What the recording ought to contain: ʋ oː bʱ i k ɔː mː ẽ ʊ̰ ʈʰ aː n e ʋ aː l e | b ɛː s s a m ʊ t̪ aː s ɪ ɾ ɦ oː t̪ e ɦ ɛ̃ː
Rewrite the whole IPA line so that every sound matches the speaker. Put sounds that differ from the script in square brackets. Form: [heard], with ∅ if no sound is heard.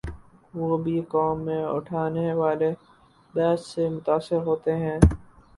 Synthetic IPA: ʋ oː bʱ i k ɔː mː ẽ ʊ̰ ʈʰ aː n e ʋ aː l e | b ɛː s s [e] m ʊ t̪ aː s ɪ ɾ ɦ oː t̪ e ɦ ɛ̃ː

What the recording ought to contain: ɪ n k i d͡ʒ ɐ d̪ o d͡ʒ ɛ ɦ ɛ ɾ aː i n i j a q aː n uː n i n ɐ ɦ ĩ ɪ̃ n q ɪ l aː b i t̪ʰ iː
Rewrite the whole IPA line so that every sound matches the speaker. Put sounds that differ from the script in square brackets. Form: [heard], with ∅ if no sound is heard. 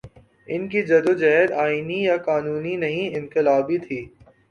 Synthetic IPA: ɪ n k i d͡ʒ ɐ d̪ o d͡ʒ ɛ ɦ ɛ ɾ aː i n i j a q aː n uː n i n ɐ ɦ ĩ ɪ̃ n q ɪ l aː b i t̪ʰ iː

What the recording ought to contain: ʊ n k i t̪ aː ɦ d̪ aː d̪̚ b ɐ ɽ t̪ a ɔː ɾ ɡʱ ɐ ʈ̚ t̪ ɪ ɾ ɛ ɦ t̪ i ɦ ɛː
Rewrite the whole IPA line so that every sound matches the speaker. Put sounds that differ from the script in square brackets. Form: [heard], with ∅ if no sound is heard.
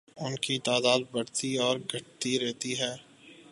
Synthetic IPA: ʊ n k i t̪ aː [∅] d̪ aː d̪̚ b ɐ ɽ t̪ [i] ɔː ɾ ɡʱ ɐ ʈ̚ t̪ [i] ɾ ɛ ɦ t̪ i ɦ ɛː

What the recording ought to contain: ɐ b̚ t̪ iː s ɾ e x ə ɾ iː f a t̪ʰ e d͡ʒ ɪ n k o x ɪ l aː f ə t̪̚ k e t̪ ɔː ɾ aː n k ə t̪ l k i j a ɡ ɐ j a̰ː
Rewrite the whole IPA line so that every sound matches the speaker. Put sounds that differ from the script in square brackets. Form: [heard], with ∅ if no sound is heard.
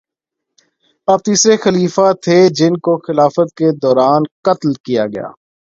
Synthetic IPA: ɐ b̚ t̪ iː s ɾ e x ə [l] iː f a t̪ʰ e d͡ʒ ɪ n k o x ɪ l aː f ə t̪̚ k e [d̪] ɔː ɾ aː n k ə t̪ l k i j a ɡ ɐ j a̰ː

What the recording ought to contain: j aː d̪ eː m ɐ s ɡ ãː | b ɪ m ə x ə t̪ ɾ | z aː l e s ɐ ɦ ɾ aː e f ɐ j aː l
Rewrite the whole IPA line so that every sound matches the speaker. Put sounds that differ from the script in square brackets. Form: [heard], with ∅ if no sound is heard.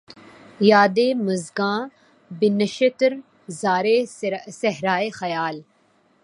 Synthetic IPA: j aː d̪ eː m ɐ [z] ɡ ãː | b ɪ [n] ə [ʃ] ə t̪ ɾ | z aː [ɾ] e s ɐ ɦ ɾ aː e [x] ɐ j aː l

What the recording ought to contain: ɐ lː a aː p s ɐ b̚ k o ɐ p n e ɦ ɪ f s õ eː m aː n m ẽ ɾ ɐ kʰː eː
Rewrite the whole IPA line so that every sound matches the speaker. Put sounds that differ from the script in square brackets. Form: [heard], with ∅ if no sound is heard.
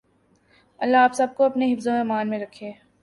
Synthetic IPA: ɐ lː a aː p s ɐ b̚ k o ɐ p n e ɦ ɪ f [z] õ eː m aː n m ẽ ɾ ɐ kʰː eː

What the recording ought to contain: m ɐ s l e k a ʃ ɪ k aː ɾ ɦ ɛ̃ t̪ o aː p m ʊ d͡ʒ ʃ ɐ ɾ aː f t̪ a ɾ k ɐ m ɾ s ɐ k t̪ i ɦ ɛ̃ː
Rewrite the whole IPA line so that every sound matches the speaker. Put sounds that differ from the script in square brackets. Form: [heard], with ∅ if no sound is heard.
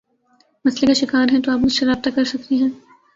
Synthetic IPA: m ɐ s l e k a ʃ ɪ k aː ɾ ɦ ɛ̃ t̪ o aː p m ʊ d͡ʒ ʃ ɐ ɾ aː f t̪ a [∅] k ɐ [∅] ɾ s ɐ k t̪ i ɦ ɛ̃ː

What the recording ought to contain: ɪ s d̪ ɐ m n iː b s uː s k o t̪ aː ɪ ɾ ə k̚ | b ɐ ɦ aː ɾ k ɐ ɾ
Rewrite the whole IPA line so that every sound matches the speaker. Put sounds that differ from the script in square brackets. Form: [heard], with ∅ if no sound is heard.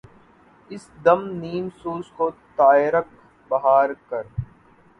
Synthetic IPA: ɪ s d̪ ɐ m n iː [m] s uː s k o t̪ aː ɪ ɾ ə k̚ | b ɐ ɦ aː ɾ k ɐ ɾ

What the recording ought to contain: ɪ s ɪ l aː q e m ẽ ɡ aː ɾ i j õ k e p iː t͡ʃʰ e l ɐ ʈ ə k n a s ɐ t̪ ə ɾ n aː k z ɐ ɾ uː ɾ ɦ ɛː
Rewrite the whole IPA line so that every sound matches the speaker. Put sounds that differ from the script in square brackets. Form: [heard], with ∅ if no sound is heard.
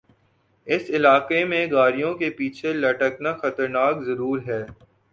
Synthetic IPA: ɪ s ɪ l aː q e m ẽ ɡ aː ɾ i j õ k e p iː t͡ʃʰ e l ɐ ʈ ə k n a [x] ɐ t̪ ə ɾ n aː k z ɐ ɾ uː ɾ ɦ ɛː

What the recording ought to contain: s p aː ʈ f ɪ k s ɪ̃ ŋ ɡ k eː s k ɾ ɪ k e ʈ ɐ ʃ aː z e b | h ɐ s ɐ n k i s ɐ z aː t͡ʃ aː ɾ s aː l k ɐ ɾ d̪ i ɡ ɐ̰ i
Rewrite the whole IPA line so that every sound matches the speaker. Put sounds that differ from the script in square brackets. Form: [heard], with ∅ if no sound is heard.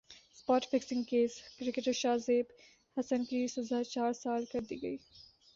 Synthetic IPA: s p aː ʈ f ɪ k s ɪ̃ ŋ ɡ k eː s k ɾ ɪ k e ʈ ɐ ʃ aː z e b | h ɐ s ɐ n k i s ɐ z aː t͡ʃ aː ɾ s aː l k ɐ ɾ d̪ i ɡ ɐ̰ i

